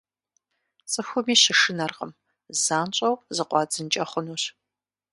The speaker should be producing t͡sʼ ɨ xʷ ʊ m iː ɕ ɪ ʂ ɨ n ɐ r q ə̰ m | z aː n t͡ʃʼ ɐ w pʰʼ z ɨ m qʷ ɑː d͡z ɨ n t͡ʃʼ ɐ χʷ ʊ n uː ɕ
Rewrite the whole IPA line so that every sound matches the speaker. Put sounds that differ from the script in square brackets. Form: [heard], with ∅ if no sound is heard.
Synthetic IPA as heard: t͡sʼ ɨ xʷ ʊ m iː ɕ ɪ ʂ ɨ n ɐ r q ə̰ m | z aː n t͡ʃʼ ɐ w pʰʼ z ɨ [∅] qʷ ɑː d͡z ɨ n t͡ʃʼ ɐ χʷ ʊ n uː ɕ